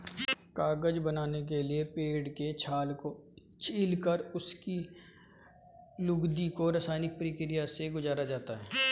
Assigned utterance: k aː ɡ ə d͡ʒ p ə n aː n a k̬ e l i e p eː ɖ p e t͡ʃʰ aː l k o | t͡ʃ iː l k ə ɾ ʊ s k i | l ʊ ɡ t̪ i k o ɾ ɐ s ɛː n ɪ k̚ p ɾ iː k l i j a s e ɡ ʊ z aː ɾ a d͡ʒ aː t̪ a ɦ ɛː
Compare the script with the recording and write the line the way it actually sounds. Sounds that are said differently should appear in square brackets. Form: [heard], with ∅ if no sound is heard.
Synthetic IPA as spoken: k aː ɡ ə d͡ʒ [b] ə n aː n [e] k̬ e l i e p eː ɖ [k] e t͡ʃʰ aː l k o | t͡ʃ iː l k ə ɾ ʊ s k i | l ʊ ɡ [d̪] i k o ɾ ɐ s [aː] n ɪ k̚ p ɾ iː k [ɾ] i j a s e ɡ ʊ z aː ɾ a d͡ʒ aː t̪ a ɦ ɛː